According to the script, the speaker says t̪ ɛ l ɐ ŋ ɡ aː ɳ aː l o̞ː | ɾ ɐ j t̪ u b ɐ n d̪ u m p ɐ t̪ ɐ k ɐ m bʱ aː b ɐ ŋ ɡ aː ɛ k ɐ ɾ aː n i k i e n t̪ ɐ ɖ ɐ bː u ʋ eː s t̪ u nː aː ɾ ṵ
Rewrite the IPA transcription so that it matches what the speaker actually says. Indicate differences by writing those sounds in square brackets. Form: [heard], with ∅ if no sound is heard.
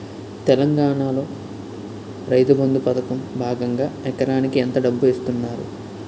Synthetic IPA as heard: t̪ ɛ l ɐ ŋ ɡ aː ɳ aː l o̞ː | ɾ ɐ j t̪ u b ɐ n d̪ u [∅] p ɐ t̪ ɐ k ɐ m bʱ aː [ɡ] ɐ ŋ ɡ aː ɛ k ɐ ɾ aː n i k i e n t̪ ɐ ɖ ɐ bː u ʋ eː s t̪ u nː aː ɾ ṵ